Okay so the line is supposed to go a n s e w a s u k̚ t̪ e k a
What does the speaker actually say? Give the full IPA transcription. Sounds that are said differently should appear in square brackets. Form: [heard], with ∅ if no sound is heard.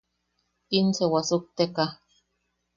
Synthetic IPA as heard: [i] n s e w a s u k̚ t̪ e k a